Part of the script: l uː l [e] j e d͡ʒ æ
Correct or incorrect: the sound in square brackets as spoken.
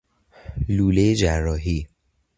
correct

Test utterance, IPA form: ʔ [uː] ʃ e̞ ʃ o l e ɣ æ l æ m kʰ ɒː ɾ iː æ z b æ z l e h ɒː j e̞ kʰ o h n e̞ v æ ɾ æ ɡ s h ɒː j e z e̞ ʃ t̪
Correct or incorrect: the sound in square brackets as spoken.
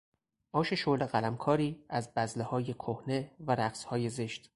incorrect: ɒː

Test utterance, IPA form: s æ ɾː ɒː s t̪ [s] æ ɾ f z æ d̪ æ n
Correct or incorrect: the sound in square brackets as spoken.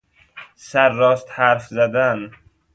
incorrect: h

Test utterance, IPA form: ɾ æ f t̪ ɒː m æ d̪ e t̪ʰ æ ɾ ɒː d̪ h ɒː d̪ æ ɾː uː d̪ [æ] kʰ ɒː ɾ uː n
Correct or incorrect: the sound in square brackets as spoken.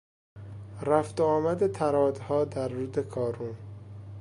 incorrect: e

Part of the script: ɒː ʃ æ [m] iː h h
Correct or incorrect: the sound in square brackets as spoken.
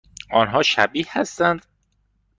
incorrect: b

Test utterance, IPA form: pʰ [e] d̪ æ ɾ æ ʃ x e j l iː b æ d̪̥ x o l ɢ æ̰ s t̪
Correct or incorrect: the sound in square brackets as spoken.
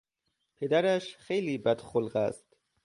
correct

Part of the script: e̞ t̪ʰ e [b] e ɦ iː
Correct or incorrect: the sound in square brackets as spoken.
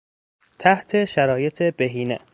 correct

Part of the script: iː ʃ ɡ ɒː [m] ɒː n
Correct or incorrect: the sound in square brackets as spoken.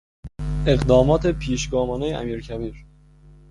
correct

